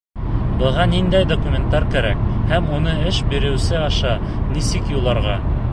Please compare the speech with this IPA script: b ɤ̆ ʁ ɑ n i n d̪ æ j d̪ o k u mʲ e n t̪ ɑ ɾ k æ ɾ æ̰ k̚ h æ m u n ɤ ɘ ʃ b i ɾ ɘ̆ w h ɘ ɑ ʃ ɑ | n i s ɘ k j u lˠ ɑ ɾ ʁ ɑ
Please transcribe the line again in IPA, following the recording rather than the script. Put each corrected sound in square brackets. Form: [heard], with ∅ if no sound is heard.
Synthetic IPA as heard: b ɤ̆ ʁ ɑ n i n d̪ æ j d̪ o k u mʲ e n t̪ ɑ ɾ k æ ɾ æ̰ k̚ h æ m u n ɤ ɘ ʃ b i ɾ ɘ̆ w [s] ɘ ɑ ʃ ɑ | n i s ɘ k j u lˠ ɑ ɾ ʁ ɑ